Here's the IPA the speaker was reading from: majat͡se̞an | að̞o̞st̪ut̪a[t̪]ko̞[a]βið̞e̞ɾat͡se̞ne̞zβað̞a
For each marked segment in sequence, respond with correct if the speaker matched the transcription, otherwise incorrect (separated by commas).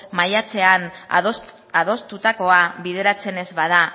incorrect, correct